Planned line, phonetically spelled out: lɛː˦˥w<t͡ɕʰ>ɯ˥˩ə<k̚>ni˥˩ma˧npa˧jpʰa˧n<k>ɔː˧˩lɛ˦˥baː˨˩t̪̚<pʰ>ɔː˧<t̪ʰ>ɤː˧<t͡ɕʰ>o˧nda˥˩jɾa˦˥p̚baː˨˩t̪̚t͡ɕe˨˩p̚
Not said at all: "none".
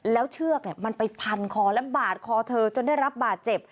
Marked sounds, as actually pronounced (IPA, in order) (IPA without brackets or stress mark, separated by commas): t͡ɕʰ, k̚, kʰ, kʰ, t̪ʰ, t͡ɕ